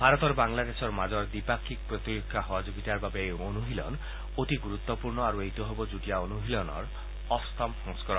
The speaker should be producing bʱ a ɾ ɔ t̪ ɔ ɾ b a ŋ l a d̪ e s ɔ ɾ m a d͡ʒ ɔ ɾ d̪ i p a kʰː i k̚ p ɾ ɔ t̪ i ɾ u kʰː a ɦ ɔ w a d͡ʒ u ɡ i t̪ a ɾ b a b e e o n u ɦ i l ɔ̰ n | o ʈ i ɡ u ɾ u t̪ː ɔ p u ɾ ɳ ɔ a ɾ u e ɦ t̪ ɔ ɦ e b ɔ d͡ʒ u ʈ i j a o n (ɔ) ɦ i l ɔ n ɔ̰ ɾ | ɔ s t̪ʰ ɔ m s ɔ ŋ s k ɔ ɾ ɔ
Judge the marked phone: incorrect: u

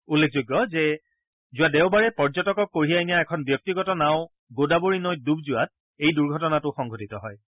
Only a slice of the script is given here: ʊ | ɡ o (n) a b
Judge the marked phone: incorrect: d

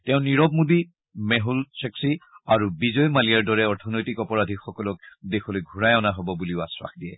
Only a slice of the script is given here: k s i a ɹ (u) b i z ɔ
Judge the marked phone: correct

